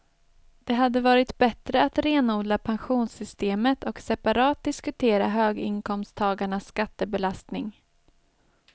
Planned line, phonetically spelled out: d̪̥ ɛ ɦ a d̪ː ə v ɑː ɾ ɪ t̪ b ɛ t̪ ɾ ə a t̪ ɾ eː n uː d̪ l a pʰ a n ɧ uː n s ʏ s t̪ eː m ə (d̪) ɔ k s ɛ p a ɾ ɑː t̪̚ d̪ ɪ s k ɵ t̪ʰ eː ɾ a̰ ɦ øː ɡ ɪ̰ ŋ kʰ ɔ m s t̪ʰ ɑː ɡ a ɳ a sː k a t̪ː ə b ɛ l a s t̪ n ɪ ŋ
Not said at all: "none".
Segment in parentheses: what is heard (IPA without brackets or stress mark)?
t̪